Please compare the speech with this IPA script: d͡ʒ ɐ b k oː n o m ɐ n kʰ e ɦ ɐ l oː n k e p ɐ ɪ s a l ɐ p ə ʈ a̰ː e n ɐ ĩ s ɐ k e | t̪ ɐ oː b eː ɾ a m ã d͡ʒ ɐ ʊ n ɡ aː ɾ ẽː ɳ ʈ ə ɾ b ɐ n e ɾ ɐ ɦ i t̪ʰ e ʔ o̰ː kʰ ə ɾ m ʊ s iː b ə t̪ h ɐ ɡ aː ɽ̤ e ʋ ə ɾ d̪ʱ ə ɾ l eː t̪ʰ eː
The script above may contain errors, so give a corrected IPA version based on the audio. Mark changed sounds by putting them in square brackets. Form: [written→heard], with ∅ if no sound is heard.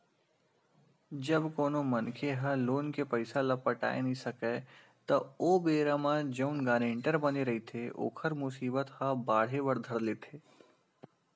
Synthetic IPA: d͡ʒ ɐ b k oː n o m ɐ n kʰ e ɦ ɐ l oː n k e p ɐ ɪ s a l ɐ p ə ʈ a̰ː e n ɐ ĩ s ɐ k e | t̪ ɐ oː b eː ɾ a m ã d͡ʒ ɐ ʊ n ɡ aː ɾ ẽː ɳ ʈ ə ɾ b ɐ n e ɾ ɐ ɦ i t̪ʰ e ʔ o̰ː kʰ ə ɾ m ʊ s iː b ə t̪ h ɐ [ɡ→b] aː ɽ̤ e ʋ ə ɾ d̪ʱ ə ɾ l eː t̪ʰ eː